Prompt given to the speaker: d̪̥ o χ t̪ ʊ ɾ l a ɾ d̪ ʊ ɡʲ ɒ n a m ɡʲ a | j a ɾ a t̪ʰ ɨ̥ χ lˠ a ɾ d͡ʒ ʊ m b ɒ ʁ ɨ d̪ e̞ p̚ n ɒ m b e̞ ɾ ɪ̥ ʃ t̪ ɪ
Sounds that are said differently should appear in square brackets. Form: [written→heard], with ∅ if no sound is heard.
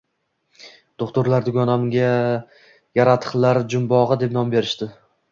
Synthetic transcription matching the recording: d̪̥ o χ t̪ ʊ ɾ l a ɾ d̪ ʊ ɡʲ ɒ n a m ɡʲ a | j a ɾ a t̪ʰ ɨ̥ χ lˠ a ɾ d͡ʒ ʊ m b ɒ ʁ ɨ d̪ e̞ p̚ n ɒ m b e̞ ɾ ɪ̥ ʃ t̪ ɪ